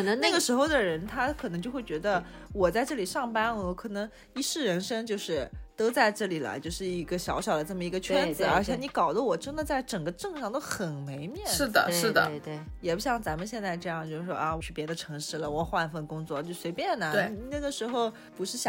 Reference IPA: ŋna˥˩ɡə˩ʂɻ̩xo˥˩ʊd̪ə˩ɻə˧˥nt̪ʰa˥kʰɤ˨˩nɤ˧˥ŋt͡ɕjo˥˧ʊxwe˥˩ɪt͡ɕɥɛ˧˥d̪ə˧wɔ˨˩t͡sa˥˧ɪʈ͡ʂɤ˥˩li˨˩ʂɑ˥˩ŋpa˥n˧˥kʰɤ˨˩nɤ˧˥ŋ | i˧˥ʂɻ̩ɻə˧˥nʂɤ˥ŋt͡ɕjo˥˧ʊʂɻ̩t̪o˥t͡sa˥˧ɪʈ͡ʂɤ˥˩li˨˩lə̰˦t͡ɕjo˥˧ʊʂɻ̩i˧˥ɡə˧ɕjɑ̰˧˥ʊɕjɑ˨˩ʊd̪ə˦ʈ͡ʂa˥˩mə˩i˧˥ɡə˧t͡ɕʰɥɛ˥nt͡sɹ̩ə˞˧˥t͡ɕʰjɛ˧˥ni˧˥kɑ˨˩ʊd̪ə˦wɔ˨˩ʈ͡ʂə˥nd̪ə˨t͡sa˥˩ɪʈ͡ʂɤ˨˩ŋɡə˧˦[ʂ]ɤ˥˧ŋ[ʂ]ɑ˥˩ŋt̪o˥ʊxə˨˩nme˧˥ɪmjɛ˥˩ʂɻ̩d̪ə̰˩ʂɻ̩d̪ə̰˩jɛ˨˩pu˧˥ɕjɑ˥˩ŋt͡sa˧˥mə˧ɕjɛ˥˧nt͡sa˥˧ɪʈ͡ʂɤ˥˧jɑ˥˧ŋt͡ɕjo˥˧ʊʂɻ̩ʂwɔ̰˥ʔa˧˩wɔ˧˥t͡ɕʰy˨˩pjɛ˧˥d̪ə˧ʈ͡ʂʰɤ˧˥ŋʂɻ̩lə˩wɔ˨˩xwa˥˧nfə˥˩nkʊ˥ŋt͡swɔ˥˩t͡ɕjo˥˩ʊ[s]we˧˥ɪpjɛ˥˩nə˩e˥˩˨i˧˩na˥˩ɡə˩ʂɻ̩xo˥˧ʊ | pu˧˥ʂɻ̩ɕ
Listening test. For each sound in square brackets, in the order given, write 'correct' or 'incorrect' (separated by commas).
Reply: incorrect, correct, correct